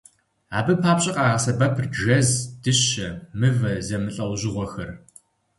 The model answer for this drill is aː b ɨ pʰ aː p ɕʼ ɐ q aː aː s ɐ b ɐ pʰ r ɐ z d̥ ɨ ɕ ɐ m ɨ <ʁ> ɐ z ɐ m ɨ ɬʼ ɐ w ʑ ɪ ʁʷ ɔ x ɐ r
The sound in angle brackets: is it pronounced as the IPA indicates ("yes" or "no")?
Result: no